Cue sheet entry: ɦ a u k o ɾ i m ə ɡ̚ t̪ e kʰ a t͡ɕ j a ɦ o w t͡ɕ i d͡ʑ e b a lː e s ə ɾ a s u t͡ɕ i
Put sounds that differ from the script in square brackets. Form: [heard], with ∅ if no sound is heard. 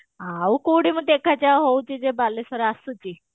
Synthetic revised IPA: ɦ a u k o [ɽ] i m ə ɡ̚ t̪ e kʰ a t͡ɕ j a ɦ o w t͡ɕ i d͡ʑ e b a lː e s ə ɾ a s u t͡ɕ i